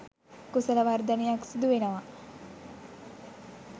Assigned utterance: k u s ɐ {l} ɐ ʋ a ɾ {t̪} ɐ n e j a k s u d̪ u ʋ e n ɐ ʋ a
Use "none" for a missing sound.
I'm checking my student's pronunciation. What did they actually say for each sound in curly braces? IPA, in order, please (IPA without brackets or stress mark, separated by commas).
l, d̪